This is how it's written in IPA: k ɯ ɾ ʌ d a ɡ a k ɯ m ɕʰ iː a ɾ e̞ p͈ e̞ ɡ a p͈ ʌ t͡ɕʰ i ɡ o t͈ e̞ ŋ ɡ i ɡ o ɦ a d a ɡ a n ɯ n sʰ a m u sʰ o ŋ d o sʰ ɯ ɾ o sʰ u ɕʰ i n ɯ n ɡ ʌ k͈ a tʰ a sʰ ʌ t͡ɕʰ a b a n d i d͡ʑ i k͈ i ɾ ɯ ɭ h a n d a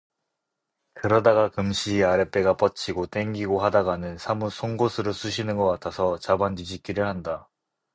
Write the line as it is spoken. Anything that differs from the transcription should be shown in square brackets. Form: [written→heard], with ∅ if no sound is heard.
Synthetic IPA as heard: k ɯ ɾ ʌ d a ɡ a k ɯ m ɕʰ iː a ɾ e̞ p͈ e̞ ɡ a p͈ ʌ t͡ɕʰ i ɡ o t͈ e̞ ŋ ɡ i ɡ o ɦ a d a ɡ a n ɯ n sʰ a m u sʰ o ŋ [d→ɡ] o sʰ ɯ ɾ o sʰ u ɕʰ i n ɯ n ɡ ʌ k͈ a tʰ a sʰ ʌ [t͡ɕʰ→t͡ɕ] a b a n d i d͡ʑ i k͈ i ɾ ɯ ɭ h a n d a